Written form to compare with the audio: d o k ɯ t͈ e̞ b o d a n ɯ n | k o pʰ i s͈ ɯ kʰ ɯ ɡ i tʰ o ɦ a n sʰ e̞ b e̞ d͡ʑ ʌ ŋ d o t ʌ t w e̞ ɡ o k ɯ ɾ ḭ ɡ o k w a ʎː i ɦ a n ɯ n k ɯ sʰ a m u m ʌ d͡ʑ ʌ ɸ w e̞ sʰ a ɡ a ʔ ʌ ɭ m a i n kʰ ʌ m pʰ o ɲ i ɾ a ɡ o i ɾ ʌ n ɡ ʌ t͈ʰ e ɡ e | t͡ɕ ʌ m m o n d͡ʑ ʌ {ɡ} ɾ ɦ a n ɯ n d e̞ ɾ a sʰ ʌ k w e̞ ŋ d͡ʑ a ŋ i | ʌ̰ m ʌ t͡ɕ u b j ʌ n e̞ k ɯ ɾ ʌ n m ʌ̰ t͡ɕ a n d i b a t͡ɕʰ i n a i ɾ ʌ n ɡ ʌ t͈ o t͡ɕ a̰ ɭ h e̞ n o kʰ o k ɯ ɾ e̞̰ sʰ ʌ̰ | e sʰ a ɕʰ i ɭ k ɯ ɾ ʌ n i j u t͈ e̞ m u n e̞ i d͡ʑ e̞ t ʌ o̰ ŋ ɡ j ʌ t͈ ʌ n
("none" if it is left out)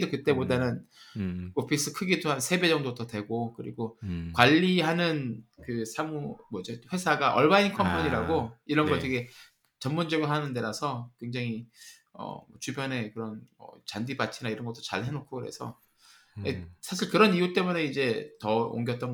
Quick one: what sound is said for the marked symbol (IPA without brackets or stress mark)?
ɡ